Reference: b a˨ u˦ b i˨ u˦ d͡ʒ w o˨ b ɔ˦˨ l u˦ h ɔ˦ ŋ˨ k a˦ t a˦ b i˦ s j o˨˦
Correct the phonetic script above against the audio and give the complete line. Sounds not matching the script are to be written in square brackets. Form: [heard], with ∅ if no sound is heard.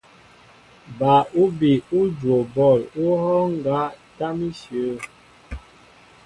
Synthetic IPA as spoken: b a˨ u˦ b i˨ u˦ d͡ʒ w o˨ b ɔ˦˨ l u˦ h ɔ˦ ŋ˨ [ɡ] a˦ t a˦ [m] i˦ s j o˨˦